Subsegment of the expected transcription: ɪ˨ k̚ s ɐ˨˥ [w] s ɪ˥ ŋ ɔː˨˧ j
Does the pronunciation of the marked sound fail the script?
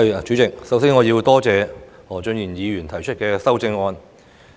no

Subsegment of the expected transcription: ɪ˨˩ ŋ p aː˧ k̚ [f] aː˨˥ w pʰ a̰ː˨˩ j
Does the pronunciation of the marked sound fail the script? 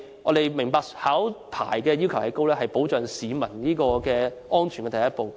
yes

